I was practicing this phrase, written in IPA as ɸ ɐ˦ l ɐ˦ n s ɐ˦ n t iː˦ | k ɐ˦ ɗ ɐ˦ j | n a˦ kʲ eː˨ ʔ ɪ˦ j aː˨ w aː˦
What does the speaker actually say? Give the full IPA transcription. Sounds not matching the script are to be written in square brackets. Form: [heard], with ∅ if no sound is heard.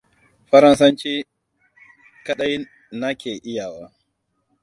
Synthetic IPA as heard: ɸ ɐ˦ [ɾ] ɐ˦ n s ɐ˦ n [t͡ʃ] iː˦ | k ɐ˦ ɗ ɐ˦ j | n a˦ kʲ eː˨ ʔ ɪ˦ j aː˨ w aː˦